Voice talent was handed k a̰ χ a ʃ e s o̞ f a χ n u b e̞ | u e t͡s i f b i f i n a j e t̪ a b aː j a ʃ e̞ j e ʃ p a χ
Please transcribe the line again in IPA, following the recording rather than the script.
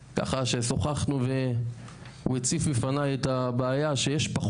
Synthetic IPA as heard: k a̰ χ a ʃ e s o̞ χ a χ n u v e̞ | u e t͡s i f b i f a n a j e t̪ a b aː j a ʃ e̞ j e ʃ p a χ